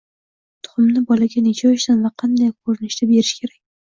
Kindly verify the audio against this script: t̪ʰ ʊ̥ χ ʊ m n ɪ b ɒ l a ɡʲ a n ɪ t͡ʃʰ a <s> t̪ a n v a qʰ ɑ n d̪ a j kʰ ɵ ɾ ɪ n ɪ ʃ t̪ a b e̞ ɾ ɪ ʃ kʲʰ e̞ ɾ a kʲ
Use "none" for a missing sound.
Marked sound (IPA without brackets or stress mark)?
ʃ